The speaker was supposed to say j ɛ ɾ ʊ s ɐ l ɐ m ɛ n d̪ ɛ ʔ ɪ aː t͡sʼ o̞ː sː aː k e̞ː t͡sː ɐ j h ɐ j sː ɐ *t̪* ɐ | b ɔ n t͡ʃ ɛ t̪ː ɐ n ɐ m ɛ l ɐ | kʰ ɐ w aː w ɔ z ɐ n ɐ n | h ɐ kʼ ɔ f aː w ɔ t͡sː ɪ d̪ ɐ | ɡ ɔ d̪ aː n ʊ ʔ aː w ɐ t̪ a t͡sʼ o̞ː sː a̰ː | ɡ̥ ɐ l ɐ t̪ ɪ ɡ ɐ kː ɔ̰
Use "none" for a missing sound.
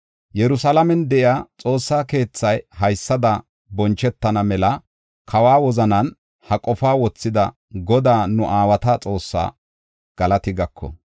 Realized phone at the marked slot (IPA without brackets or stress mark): d̪